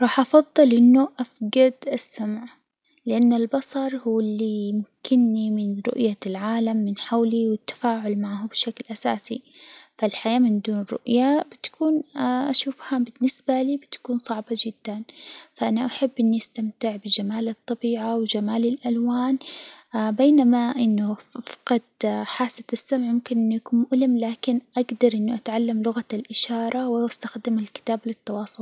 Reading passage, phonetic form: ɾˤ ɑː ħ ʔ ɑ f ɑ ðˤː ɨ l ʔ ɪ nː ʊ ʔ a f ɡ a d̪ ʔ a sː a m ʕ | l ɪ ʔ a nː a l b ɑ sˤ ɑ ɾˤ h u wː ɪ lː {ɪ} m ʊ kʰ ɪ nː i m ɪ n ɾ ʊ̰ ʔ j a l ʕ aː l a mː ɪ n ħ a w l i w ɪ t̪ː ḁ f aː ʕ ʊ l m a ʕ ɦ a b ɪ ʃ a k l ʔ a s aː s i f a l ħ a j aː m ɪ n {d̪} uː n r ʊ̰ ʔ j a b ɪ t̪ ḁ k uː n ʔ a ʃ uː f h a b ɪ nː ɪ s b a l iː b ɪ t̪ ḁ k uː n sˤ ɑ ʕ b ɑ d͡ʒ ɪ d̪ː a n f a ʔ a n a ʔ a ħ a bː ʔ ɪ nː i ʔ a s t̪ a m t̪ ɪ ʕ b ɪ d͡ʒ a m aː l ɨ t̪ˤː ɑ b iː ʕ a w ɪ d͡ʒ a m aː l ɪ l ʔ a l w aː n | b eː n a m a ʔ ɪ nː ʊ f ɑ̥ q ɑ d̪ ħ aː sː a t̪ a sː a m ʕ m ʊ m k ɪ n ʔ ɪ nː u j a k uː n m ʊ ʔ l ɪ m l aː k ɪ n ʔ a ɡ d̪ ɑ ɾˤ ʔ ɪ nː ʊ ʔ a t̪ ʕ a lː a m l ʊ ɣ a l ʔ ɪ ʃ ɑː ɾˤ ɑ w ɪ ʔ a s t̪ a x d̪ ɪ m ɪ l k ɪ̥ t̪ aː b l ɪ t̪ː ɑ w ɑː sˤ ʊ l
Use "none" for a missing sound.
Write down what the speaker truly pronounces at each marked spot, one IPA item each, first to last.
i, d̪

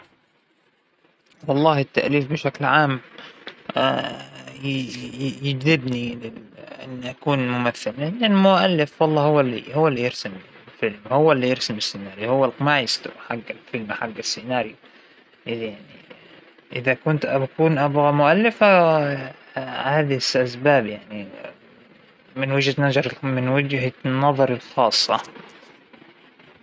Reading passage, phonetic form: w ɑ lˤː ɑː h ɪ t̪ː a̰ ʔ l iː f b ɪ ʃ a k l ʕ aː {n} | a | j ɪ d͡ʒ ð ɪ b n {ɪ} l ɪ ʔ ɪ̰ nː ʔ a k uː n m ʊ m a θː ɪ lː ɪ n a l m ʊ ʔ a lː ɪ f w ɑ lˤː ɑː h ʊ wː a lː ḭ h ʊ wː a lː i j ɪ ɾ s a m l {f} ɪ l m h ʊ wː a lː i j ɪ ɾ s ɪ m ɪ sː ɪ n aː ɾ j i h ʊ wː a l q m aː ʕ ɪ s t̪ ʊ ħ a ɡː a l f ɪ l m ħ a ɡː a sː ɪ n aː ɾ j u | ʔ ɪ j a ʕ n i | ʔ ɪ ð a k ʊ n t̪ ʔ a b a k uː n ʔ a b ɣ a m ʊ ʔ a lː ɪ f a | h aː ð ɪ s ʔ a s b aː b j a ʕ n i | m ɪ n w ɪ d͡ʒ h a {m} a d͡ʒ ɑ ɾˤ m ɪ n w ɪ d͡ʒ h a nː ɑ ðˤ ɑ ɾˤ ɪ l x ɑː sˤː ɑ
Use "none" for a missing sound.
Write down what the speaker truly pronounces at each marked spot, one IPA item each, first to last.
m, i, f, n

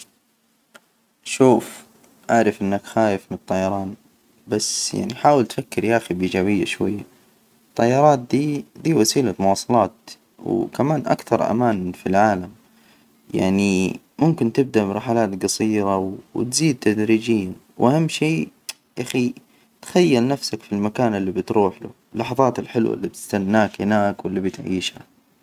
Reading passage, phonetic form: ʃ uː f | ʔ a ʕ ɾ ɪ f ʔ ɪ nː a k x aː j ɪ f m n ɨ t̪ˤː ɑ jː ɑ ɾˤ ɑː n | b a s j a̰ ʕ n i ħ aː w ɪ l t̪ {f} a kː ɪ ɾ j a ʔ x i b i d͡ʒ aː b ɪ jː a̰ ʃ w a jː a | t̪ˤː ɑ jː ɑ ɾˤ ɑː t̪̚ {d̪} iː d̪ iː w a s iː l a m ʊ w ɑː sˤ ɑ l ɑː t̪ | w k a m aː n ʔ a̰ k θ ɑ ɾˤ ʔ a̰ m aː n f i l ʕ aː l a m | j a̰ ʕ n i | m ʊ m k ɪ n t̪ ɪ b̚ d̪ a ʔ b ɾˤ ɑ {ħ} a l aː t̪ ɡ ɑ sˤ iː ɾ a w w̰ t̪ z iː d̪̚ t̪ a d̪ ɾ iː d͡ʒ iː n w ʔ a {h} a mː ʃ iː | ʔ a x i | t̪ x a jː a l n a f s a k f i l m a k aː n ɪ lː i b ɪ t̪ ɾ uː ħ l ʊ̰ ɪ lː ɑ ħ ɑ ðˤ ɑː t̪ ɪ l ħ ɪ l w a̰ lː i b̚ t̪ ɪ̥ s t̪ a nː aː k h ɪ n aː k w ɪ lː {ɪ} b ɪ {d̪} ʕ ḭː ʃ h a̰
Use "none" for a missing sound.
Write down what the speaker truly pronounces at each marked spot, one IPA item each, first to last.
f, d̪, ħ, h, i, t̪

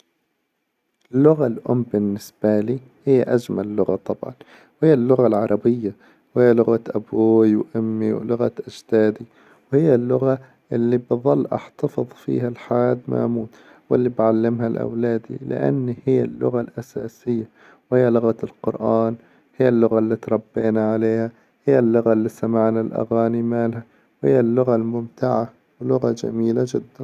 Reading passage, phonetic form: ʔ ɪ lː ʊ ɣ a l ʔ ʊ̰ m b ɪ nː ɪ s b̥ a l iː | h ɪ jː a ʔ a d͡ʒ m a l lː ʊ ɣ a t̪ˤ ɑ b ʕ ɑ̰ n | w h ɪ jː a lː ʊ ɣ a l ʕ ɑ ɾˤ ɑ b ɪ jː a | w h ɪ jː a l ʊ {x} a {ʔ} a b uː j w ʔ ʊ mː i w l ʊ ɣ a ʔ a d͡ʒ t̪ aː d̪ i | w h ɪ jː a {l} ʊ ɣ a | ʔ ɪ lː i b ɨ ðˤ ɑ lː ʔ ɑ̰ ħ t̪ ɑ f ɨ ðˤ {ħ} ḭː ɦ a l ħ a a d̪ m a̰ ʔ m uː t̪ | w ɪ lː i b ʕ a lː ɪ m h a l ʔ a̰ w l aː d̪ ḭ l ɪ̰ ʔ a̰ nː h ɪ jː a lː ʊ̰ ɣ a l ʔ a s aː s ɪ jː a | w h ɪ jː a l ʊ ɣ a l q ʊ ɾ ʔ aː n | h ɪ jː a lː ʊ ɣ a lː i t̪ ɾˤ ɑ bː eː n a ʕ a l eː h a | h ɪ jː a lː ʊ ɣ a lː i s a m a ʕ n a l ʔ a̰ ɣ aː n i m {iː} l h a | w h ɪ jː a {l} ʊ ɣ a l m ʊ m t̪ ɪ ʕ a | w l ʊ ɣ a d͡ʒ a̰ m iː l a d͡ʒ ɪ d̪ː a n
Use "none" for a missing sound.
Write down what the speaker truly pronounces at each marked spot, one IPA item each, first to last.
ɣ, ʔ, lː, f, aː, lː

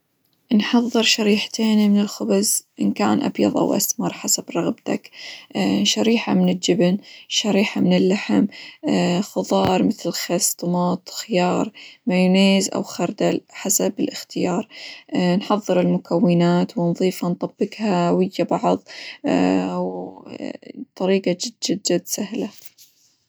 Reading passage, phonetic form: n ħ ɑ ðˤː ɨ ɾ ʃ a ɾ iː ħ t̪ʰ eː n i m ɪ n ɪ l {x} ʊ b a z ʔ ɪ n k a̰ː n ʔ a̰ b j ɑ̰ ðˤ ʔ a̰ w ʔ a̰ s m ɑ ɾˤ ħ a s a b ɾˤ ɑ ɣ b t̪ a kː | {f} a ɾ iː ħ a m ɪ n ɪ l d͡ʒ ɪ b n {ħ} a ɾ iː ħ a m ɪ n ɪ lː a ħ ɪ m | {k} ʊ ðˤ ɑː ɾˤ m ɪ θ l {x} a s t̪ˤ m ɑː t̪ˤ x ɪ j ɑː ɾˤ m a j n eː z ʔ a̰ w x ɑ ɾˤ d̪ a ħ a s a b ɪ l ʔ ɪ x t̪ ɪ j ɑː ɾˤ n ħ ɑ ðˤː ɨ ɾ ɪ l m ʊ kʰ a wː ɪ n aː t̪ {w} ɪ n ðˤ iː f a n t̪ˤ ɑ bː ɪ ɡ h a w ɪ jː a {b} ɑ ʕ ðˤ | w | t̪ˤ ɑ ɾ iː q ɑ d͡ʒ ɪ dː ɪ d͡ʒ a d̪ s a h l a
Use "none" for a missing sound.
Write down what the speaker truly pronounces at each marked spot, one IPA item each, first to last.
x, ʃ, ʃ, x, x, w, b

